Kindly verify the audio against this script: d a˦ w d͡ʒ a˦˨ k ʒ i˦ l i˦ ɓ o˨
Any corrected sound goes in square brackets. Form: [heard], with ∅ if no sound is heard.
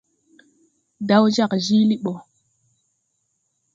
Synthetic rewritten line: d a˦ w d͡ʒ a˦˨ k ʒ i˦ l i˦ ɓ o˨